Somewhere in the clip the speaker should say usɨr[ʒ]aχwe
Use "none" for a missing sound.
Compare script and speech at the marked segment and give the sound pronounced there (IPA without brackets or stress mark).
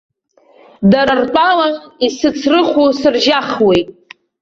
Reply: ʒ